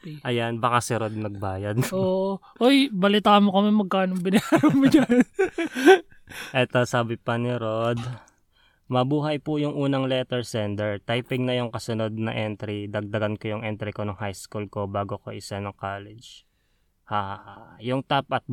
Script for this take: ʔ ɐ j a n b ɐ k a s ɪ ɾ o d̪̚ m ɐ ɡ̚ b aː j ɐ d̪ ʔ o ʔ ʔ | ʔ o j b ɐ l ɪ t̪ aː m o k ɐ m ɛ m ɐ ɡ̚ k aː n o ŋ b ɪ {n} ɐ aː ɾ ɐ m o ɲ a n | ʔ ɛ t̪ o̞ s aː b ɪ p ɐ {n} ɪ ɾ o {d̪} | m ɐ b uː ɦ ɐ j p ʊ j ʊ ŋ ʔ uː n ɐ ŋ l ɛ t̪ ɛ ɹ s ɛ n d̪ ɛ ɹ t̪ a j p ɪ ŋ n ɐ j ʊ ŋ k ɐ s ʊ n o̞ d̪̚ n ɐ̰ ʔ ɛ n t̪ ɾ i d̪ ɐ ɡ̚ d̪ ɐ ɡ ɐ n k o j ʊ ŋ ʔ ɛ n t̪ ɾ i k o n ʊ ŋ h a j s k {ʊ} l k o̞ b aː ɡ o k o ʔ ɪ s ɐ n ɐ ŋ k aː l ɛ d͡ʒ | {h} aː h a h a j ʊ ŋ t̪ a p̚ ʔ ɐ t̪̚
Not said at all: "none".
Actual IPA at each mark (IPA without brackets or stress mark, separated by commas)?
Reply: n, n, d̪, u, h